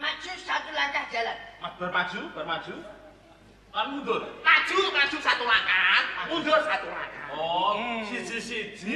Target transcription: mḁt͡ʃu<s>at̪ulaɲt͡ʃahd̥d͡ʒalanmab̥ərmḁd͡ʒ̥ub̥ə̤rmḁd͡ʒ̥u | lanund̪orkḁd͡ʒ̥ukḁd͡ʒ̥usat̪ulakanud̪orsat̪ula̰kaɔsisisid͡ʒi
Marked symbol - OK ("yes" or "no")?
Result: yes